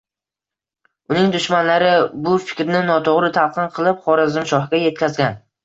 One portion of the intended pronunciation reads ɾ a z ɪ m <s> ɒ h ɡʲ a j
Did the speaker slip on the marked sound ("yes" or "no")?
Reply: yes